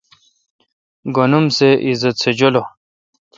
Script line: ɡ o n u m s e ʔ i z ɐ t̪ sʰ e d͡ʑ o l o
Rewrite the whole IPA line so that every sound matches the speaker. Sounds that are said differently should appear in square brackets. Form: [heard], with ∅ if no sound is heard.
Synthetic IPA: ɡ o n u m s e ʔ i z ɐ t̪ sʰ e d͡ʑ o l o